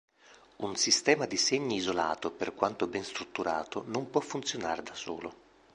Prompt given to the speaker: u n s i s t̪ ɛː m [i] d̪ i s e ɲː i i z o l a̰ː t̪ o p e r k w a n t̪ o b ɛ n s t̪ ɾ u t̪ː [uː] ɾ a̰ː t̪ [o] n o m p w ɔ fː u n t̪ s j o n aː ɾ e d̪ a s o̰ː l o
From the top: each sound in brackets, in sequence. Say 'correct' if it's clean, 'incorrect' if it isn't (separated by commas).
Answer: incorrect, incorrect, correct